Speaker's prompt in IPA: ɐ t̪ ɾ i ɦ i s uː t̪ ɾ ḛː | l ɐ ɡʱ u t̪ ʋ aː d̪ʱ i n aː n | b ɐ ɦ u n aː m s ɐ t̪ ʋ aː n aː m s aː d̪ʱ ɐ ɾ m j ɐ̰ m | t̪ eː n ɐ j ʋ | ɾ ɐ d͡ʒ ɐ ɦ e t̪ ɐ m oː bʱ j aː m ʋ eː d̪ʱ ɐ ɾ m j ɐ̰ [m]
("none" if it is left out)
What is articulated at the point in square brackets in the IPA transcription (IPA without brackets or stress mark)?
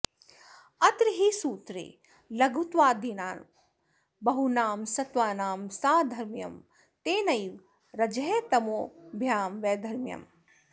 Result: m